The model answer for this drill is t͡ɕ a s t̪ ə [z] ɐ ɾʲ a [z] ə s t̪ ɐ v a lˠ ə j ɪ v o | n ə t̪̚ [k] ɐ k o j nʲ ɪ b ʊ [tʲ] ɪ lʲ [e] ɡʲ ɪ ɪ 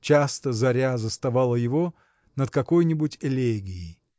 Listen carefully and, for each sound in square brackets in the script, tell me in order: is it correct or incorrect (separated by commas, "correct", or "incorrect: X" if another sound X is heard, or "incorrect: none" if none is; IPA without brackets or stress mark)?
correct, correct, correct, correct, correct